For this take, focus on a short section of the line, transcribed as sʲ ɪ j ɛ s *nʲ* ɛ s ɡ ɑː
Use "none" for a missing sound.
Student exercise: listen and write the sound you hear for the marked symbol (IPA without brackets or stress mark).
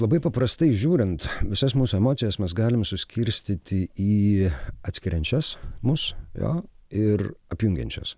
mʲ